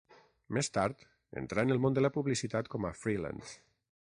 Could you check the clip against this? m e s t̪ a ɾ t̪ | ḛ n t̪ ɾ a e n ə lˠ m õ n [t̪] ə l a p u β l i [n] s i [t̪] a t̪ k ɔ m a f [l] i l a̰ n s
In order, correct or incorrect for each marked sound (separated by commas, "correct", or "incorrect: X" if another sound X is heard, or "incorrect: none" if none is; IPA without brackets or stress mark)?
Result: incorrect: d̪, incorrect: none, correct, incorrect: ɾ